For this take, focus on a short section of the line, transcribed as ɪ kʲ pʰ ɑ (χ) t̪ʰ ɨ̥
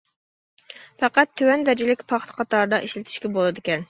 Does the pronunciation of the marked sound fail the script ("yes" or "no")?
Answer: no